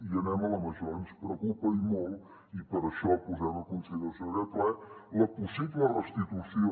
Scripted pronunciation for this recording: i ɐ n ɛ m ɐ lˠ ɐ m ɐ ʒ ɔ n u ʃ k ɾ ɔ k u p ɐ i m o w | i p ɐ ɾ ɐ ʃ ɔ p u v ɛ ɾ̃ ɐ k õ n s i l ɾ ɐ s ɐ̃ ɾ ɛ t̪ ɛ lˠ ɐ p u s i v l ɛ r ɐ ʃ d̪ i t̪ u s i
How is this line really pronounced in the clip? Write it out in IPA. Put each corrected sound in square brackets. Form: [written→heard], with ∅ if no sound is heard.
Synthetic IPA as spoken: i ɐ n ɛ m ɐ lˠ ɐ m ɐ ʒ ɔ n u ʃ [k→p] ɾ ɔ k u p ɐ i m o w | i p ɐ ɾ ɐ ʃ ɔ p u [v→z] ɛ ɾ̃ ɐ k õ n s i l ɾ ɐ s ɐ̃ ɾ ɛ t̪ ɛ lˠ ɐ p u s i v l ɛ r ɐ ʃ [d̪→t̪] i t̪ u s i